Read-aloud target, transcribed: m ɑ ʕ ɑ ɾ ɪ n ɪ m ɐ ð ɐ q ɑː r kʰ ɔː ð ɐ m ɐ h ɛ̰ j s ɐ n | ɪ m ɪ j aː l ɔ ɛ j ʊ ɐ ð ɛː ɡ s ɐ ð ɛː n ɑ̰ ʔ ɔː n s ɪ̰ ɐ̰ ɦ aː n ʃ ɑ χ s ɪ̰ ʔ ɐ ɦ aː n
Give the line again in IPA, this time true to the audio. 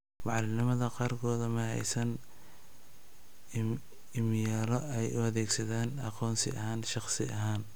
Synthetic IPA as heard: m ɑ ʕ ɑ l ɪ n ɪ m ɐ ð ɐ q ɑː r kʰ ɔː ð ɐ m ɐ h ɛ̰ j s ɐ n | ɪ m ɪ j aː l ɔ ɛ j ʊ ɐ ð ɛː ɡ s ɐ ð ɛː n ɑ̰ q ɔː n s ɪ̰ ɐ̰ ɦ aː n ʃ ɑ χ s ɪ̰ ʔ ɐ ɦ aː n

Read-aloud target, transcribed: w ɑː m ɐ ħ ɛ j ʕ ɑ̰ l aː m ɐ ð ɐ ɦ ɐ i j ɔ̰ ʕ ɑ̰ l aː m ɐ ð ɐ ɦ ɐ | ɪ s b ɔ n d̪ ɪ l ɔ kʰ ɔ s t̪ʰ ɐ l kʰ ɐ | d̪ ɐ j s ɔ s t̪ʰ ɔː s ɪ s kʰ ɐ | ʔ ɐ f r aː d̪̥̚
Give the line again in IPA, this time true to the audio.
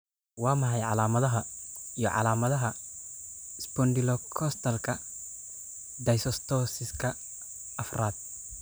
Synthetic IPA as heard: w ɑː m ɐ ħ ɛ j ʕ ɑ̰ l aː m ɐ ð ɐ ɦ ɐ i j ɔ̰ ʕ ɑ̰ l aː m ɐ ð ɐ ɦ ɐ | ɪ s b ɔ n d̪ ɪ l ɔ kʰ ɔ s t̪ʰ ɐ l kʰ ɐ | d̪ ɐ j s ɔ s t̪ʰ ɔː s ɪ s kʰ ɐ | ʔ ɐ f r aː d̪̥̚

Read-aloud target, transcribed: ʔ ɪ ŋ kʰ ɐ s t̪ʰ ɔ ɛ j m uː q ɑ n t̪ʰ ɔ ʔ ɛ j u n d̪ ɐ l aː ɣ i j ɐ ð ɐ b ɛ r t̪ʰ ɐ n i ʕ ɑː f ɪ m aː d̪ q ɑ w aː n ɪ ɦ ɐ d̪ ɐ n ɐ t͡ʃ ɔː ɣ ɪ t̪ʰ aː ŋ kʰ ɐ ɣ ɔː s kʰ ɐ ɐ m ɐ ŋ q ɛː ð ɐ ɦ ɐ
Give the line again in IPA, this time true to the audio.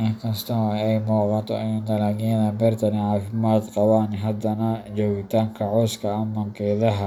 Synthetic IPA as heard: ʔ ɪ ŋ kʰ ɐ s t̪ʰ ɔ ɛ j m uː q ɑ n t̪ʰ ɔ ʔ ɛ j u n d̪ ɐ l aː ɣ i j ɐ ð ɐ b ɛ r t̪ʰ ɐ n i ʕ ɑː f ɪ m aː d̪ q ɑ w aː n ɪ ɦ ɐ d̪ ɐ n ɐ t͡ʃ ɔː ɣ ɪ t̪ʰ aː ŋ kʰ ɐ ʕ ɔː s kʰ ɐ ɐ m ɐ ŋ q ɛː ð ɐ ɦ ɐ

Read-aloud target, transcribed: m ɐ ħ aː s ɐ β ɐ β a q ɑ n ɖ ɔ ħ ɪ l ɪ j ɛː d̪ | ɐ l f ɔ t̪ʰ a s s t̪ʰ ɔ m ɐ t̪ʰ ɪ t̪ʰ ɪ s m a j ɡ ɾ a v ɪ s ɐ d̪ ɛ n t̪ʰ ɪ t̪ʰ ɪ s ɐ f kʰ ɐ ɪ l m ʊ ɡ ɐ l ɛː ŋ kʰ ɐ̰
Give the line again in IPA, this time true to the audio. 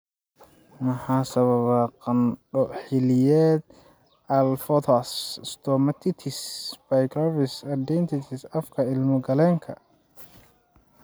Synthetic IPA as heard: m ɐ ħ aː s ɐ β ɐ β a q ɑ n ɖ ɔ ħ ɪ l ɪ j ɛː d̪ | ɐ l f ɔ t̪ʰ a s s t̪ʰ ɔ m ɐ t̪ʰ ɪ t̪ʰ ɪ s b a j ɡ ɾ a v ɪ s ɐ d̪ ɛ n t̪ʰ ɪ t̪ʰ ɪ s ɐ f kʰ ɐ ɪ l m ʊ ɡ ɐ l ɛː ŋ kʰ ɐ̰

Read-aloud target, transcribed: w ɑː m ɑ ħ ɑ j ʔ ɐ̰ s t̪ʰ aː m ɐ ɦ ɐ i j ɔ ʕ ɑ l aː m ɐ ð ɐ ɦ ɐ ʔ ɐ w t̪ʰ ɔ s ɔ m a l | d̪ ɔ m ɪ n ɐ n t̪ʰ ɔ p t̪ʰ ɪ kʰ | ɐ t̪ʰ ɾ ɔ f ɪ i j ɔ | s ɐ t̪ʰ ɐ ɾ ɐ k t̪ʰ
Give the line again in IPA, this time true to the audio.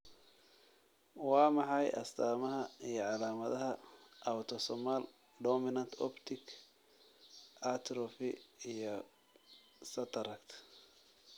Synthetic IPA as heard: w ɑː m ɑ ħ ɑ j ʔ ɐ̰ s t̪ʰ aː m ɐ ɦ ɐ i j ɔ ʕ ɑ l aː m ɐ ð ɐ ɦ ɐ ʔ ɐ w t̪ʰ ɔ s ɔ m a l | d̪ ɔ m ɪ n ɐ n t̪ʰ ɔ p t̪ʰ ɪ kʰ | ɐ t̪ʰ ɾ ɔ f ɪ i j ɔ | s ɐ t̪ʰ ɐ ɾ ɐ k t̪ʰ

